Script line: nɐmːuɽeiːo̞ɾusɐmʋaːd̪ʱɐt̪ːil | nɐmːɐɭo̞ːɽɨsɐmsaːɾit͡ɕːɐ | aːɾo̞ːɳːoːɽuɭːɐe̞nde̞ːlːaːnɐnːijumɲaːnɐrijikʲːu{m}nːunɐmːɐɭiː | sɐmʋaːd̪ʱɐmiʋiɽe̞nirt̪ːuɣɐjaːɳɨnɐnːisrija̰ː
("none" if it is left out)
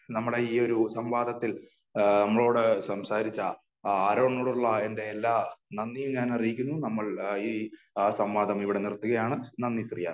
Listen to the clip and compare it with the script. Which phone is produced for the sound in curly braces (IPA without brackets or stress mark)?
none